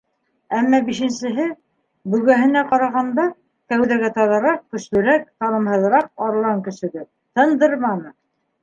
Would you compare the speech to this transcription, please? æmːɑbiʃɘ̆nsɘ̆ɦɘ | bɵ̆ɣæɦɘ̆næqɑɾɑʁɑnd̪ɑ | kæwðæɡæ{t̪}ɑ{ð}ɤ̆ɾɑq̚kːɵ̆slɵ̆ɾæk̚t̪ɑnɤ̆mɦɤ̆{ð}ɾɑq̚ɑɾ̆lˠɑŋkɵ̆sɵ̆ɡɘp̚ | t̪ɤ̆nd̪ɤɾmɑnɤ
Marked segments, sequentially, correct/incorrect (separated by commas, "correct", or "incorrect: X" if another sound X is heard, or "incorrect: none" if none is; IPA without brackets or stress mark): correct, correct, correct